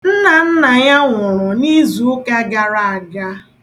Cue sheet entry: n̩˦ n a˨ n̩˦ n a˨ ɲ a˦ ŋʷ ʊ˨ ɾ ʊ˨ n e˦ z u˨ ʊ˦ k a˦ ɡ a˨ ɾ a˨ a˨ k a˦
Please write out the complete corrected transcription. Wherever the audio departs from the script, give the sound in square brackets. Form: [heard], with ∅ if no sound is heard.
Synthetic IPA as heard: n̩˦ n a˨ n̩˦ n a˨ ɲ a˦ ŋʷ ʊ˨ ɾ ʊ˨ n [i˦] z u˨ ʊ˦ k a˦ ɡ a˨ ɾ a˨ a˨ [ɡ] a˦